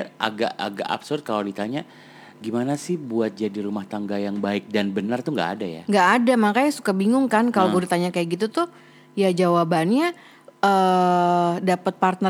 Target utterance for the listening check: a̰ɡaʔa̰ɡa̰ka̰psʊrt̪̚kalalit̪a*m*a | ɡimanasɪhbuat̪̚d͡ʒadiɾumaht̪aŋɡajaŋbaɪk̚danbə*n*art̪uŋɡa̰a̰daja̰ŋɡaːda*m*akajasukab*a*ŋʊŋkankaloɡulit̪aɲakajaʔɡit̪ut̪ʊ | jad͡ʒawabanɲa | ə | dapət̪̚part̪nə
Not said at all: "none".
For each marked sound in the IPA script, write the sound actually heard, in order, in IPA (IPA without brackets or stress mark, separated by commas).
ɲ, n, m, i